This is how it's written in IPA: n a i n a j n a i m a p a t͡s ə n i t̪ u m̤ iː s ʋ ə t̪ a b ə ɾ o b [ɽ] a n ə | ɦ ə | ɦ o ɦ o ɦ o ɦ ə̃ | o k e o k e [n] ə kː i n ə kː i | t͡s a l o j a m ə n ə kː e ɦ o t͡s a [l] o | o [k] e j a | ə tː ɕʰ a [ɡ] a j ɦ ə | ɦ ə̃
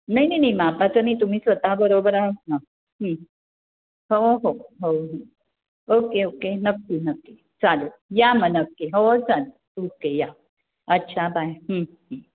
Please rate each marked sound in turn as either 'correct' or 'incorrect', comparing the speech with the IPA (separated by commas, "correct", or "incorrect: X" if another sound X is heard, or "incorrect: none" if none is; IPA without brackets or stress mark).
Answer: incorrect: ɾ, correct, correct, correct, incorrect: b